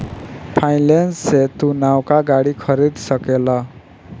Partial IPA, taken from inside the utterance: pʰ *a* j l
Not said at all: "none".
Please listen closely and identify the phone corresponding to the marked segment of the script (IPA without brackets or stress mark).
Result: a